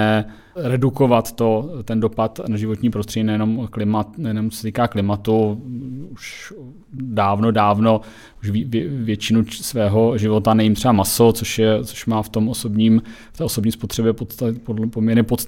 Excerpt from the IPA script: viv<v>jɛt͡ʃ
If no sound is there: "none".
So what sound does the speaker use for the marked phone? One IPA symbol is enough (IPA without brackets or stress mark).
v